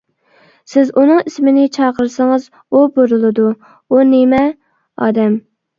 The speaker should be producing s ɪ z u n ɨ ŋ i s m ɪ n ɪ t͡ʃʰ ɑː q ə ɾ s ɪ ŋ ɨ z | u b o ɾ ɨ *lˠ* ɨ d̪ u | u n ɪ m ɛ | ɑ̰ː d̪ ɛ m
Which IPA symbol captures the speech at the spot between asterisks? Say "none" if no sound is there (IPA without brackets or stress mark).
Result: lˠ